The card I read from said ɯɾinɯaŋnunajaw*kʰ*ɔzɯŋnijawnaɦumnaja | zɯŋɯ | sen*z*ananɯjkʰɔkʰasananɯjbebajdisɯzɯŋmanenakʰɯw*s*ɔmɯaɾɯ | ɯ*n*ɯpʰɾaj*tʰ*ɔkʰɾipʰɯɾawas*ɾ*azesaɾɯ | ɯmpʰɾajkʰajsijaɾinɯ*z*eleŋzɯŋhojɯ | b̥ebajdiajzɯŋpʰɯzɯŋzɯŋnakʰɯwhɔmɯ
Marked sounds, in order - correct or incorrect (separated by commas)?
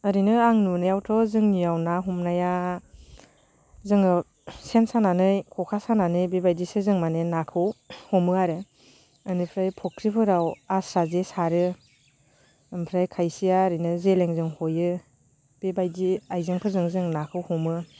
incorrect, incorrect, incorrect, correct, incorrect, correct, correct